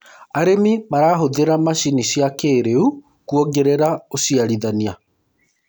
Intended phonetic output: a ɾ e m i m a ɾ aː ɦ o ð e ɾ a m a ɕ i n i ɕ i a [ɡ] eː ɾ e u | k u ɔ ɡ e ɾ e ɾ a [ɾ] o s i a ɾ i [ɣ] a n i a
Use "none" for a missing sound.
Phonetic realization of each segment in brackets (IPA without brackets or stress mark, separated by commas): k, none, ð